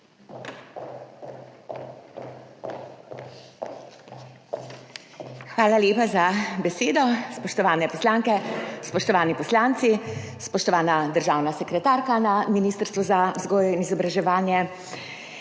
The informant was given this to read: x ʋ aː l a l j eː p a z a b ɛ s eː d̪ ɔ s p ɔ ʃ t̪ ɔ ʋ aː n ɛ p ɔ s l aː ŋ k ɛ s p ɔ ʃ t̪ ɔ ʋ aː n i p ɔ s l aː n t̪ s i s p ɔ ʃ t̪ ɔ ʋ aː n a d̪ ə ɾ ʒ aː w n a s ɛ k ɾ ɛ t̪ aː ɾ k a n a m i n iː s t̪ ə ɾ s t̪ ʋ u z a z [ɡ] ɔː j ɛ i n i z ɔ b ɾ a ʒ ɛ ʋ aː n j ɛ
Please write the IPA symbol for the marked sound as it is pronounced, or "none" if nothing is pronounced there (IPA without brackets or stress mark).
ɡ